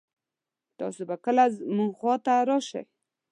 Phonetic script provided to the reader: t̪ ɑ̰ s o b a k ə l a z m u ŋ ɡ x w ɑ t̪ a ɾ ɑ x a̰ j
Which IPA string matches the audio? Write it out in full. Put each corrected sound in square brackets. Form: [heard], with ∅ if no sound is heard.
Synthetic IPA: t̪ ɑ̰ s o b a k ə l a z m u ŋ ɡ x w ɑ t̪ a ɾ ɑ [ʃ] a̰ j